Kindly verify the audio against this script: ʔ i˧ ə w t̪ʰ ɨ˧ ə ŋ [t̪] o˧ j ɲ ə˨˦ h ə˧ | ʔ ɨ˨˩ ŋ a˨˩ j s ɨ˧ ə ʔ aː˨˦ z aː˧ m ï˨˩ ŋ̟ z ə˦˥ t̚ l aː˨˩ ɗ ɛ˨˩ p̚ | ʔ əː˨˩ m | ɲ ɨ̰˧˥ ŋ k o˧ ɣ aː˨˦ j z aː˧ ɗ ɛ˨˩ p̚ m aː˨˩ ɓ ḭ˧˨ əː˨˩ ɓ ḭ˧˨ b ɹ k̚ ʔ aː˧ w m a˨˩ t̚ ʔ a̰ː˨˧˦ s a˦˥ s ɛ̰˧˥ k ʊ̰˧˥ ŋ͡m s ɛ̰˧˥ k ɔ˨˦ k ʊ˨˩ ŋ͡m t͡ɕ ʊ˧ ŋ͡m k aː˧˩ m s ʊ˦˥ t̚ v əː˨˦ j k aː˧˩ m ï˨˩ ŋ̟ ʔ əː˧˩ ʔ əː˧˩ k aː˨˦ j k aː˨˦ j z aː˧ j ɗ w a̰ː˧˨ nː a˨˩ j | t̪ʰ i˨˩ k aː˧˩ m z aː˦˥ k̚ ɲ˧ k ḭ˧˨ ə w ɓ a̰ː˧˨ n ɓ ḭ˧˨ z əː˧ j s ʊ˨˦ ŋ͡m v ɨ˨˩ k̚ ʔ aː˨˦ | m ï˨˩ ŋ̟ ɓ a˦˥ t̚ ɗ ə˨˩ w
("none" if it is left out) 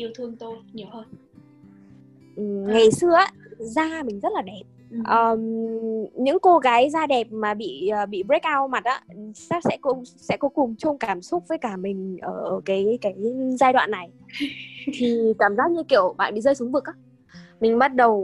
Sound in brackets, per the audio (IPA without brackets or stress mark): t̪